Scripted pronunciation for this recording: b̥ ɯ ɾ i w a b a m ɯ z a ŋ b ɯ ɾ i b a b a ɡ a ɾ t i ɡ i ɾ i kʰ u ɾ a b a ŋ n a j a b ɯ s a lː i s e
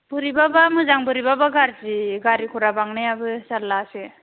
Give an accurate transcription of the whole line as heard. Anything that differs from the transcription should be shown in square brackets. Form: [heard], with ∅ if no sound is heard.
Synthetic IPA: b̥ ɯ ɾ i [b] a b a m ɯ z a ŋ b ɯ ɾ i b a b a ɡ a ɾ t i ɡ [a] ɾ i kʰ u ɾ a b a ŋ n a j a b ɯ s a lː [a] s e